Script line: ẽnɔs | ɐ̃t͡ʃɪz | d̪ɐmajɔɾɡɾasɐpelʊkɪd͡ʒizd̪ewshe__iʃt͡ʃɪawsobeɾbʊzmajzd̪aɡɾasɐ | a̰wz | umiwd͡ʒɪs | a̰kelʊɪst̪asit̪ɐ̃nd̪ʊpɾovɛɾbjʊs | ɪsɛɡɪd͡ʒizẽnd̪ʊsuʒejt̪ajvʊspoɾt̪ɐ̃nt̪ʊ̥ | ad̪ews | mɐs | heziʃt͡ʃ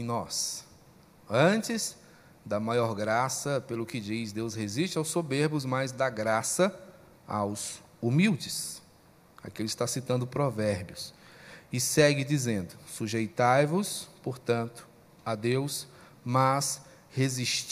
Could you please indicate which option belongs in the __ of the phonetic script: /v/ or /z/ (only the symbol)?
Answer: z